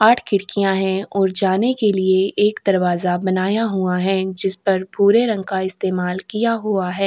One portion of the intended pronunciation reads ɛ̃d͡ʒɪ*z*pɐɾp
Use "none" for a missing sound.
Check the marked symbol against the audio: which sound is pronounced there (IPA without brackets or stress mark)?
s